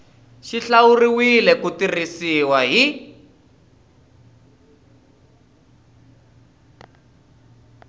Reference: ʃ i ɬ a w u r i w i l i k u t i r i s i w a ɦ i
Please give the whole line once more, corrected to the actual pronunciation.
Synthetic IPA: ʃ i ɬ a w u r i w i l ɛ k u t i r i s i w a ɦ i